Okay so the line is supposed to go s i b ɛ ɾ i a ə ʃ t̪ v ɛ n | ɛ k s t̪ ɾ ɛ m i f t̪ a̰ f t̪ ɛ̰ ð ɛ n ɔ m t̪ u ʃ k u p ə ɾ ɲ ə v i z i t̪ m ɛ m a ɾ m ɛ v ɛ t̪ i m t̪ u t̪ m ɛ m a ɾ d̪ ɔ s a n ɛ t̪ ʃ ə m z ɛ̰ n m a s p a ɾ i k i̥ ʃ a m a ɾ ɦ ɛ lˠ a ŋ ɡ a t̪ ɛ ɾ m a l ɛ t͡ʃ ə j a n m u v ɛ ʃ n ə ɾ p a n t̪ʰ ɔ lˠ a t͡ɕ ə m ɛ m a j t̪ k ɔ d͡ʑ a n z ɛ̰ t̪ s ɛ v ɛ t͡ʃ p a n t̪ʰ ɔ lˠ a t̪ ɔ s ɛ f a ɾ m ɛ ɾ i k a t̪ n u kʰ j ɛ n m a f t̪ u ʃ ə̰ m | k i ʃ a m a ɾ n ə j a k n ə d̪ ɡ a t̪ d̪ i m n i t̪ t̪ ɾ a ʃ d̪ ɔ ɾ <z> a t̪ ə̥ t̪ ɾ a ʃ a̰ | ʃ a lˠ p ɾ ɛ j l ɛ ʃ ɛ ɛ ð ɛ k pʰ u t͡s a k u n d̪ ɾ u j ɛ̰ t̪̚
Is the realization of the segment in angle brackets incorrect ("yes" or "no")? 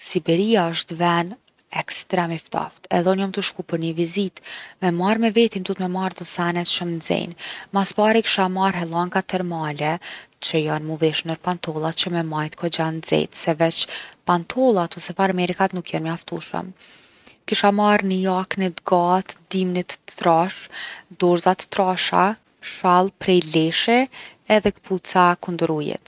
no